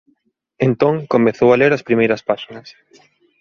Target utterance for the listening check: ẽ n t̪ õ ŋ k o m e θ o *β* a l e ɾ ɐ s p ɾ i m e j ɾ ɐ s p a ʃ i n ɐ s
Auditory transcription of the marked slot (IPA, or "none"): w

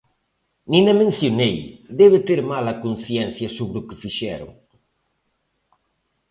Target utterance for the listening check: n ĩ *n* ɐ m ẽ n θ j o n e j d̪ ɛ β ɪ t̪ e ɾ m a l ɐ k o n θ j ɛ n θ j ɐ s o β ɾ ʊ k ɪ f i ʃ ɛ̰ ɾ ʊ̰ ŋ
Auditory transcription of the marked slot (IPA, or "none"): n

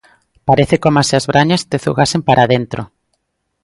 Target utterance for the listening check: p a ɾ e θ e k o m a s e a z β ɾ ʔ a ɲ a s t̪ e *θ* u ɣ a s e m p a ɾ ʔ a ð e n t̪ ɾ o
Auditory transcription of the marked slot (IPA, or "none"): θ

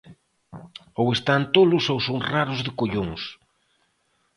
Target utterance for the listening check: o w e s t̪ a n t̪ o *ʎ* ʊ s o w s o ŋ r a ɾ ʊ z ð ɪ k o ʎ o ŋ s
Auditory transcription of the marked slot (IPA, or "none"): l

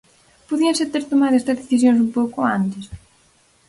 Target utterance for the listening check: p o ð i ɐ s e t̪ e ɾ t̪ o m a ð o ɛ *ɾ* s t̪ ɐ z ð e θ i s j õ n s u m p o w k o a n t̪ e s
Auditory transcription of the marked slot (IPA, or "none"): none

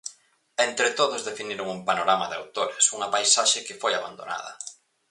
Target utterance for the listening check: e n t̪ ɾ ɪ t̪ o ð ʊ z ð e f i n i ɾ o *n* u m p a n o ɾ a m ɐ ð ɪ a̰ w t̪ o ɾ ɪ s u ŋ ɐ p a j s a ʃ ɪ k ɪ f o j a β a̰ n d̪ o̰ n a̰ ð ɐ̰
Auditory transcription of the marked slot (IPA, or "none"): ŋ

